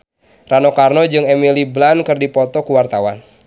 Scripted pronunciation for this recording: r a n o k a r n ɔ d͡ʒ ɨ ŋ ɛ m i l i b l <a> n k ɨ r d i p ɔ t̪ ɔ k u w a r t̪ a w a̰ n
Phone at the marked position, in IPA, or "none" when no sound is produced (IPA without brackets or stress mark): a